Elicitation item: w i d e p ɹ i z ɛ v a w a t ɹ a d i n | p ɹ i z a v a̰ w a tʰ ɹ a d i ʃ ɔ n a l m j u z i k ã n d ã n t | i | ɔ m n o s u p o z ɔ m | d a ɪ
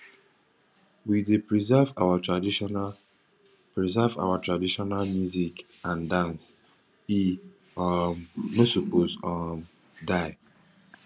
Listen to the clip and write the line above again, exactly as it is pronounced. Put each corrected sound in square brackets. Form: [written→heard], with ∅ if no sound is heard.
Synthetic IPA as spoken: w i d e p ɹ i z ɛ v a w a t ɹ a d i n | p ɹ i z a v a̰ w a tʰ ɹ a d i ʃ ɔ n a l m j u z i k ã n d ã n [t→s] | i | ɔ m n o s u p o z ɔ m | d a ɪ